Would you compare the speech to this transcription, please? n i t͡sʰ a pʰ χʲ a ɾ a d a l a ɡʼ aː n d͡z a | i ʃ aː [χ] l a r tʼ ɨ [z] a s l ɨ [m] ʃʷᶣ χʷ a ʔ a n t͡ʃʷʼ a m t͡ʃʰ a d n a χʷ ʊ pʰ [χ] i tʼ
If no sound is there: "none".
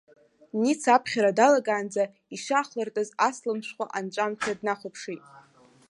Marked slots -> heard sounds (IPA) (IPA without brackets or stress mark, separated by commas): χ, z, m, ʂ